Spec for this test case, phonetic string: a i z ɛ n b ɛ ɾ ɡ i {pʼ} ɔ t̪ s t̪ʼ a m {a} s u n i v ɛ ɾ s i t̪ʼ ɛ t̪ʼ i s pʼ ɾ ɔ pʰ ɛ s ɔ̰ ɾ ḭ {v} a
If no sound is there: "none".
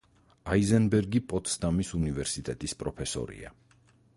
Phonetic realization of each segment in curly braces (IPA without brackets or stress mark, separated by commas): pʼ, i, none